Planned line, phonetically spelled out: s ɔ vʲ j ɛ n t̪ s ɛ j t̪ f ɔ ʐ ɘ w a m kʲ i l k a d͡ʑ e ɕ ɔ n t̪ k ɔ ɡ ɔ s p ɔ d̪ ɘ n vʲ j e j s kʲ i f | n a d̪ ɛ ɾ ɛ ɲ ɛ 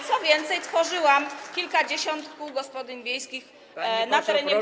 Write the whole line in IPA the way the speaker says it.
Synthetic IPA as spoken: s ɔ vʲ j ɛ n t̪ s ɛ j t̪ f ɔ ʐ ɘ w a m kʲ i l k a d͡ʑ e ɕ ɔ n t̪ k u ɡ ɔ s p ɔ d̪ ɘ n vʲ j e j s kʲ i x | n a t̪ ɛ ɾ ɛ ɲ ɛ